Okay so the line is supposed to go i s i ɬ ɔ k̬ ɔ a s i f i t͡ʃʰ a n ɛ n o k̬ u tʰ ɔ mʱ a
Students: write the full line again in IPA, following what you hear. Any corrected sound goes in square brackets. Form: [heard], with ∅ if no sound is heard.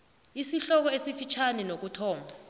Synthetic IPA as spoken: i s i ɬ ɔ k̬ ɔ [e] s i f i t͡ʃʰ a n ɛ n o k̬ u tʰ [ɔː] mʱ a

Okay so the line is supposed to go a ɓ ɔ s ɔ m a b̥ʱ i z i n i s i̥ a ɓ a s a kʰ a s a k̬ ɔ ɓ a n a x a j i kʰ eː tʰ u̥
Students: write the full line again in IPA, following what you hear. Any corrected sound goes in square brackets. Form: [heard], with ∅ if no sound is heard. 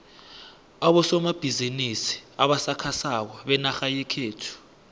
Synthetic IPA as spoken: a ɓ ɔ s ɔ m a b̥ʱ i z i n i s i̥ a ɓ a s a kʰ a s a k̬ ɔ ɓ [ɛ] n a x a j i kʰ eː tʰ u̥

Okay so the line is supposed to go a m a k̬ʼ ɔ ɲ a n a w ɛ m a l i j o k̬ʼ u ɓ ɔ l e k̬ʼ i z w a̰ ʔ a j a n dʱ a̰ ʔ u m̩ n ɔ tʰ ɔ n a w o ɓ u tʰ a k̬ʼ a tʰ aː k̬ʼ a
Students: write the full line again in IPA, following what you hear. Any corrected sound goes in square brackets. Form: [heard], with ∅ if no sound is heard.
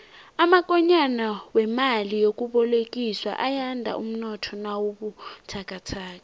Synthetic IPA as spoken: a m a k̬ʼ ɔ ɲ a n a w ɛ m a l i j o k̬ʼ u ɓ ɔ l e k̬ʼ i [s] w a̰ ʔ a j a n dʱ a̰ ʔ u m̩ n ɔ tʰ ɔ n a w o ɓ u tʰ a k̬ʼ a tʰ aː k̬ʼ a

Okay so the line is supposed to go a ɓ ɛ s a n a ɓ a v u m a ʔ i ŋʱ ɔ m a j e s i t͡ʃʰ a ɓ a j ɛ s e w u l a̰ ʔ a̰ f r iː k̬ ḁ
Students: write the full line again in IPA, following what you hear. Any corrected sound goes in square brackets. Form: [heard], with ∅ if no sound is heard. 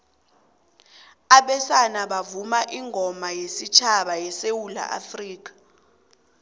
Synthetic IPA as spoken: a ɓ ɛ s a n a ɓ a v u m a ʔ i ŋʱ ɔ m a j e s i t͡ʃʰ a ɓ a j ɛ s e w u l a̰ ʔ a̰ f r iː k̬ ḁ

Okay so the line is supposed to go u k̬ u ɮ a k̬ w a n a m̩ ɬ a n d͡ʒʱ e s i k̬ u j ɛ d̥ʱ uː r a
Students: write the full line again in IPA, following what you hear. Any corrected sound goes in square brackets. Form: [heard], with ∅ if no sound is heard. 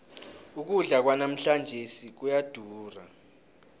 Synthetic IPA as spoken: u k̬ u ɮ a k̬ w a n a m̩ ɬ a n d͡ʒʱ e s i k̬ u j [a] d̥ʱ uː r a

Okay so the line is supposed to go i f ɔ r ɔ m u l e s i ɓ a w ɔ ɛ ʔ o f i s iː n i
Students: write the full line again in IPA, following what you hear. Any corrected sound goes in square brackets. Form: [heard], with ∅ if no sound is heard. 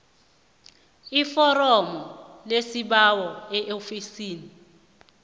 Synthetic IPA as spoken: i f ɔ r ɔ m [ɔ] l e s i ɓ a w ɔ ɛ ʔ o f i s iː n i

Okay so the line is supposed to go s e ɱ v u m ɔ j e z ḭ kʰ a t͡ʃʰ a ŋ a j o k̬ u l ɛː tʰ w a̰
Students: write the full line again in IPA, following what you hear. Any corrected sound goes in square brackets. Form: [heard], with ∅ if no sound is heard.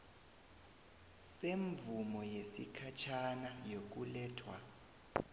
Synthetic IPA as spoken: s e ɱ v u m ɔ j e [s] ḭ kʰ a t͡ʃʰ a [n] a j o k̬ u l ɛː tʰ w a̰

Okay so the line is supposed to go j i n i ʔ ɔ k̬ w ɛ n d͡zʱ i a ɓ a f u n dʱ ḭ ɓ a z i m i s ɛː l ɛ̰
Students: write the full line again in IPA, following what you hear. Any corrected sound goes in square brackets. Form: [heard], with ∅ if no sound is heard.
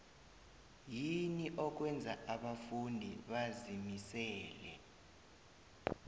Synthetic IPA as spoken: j i n i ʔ ɔ k̬ w ɛ n d͡zʱ [a] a ɓ a f u n dʱ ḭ ɓ a z i m i s ɛː l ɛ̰

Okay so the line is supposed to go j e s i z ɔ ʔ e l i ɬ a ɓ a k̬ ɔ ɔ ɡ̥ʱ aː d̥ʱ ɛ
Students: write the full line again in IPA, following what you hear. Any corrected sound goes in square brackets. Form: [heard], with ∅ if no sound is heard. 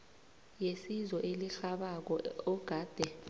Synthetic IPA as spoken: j e s i z ɔ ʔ e l i ɬ a ɓ a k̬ ɔ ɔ ɡ̥ʱ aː d̥ʱ ɛ

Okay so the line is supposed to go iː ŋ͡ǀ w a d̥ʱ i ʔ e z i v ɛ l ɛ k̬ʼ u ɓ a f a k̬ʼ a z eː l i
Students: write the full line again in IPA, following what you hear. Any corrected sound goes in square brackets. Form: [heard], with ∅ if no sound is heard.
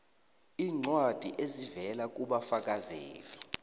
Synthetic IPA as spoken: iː ŋ͡ǀ w a d̥ʱ i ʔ e z i v ɛ l [a] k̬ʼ u ɓ a f a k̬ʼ a z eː l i

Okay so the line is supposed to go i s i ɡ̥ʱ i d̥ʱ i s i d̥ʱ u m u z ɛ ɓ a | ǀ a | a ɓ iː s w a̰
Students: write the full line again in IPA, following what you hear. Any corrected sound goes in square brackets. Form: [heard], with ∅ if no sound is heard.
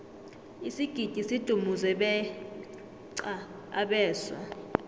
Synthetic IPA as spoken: i s i ɡ̥ʱ i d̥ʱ i s i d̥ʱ u m u z ɛ ɓ [ɛ] | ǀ a | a ɓ [ɛː] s w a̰

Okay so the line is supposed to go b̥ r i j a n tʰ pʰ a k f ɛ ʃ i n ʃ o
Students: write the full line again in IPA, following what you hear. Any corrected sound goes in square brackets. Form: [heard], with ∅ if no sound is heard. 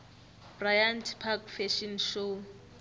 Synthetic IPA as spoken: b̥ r [a] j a n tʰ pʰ a k f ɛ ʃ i n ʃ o

